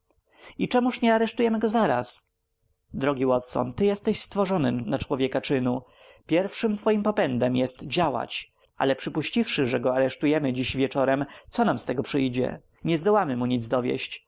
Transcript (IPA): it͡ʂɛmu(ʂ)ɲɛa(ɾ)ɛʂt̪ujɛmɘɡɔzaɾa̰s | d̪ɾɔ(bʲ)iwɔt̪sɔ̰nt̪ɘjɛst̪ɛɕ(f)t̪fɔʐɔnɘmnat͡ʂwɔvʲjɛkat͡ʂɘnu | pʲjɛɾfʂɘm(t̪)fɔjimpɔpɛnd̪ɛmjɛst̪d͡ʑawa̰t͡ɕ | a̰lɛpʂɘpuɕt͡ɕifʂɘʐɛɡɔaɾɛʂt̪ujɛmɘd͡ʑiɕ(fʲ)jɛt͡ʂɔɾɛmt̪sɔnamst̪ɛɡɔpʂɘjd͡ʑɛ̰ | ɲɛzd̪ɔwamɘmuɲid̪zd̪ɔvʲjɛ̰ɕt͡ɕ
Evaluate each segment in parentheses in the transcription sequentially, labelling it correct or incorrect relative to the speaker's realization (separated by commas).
correct, correct, incorrect, incorrect, correct, incorrect